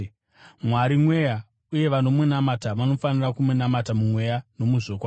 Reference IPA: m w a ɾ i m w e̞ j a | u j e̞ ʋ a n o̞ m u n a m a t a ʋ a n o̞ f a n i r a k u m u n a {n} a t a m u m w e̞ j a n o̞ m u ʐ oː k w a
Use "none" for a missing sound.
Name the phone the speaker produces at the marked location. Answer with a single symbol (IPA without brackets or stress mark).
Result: m